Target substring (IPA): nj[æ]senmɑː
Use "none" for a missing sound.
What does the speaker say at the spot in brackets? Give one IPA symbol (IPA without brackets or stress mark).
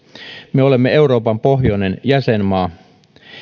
æ